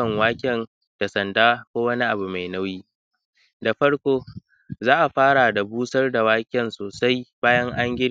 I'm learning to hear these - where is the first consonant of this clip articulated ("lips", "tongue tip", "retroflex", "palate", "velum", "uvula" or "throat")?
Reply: velum